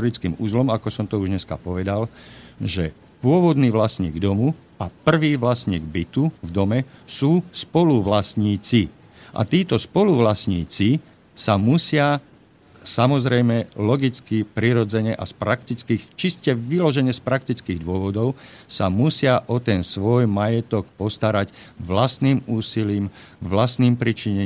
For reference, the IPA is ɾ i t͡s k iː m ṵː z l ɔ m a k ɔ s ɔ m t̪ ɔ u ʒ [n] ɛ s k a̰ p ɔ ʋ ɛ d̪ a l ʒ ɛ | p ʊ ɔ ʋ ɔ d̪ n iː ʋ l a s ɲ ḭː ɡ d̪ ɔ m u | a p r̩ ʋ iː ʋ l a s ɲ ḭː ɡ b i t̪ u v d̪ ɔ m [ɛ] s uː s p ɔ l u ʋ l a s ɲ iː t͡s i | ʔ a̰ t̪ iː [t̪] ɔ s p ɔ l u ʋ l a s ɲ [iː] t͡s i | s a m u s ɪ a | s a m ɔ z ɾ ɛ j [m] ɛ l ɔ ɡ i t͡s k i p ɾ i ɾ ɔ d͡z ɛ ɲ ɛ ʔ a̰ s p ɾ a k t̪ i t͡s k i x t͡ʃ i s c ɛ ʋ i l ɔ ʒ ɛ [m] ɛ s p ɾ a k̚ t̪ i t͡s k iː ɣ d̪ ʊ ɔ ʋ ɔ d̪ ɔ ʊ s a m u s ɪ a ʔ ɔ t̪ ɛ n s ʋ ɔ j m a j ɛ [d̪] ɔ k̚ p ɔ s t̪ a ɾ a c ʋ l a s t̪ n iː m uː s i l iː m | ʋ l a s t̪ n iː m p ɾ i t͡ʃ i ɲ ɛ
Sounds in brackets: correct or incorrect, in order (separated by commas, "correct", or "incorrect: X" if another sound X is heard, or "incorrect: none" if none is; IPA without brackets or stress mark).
incorrect: ɲ, correct, correct, correct, correct, incorrect: ɲ, incorrect: t̪